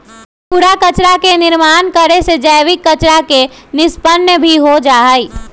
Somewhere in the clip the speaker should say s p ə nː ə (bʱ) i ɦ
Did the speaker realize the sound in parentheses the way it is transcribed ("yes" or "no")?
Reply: yes